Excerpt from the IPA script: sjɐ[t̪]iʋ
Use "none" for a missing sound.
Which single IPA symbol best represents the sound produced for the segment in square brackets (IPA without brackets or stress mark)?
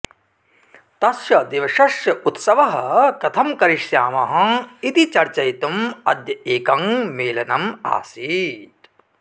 d̪